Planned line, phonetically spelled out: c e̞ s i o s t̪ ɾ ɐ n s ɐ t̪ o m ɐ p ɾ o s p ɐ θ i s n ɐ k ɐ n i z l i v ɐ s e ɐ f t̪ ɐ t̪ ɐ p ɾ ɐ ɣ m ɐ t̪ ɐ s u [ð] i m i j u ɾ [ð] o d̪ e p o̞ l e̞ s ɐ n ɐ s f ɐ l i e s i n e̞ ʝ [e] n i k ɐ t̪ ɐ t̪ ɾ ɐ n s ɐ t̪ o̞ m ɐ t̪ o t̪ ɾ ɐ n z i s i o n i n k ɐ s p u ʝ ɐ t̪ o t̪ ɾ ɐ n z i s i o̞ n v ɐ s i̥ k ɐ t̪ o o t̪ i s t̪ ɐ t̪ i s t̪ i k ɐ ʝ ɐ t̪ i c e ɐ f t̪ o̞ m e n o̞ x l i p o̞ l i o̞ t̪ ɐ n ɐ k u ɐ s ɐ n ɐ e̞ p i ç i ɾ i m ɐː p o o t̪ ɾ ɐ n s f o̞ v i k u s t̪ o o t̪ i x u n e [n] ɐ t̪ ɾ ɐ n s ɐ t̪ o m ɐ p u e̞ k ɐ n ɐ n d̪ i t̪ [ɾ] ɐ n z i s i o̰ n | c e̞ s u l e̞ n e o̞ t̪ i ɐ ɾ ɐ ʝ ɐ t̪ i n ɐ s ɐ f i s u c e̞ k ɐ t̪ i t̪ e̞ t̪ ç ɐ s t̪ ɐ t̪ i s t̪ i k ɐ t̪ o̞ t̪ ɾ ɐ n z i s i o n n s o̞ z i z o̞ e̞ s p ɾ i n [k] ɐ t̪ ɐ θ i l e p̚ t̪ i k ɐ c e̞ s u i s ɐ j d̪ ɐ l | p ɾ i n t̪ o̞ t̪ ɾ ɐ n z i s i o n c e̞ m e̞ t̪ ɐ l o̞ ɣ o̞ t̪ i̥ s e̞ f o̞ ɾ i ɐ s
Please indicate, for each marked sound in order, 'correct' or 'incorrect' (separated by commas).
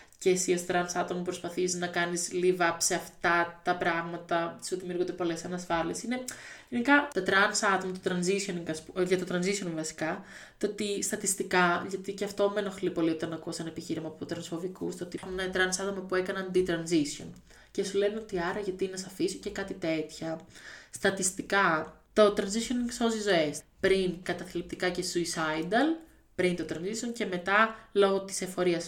correct, incorrect, correct, correct, correct, correct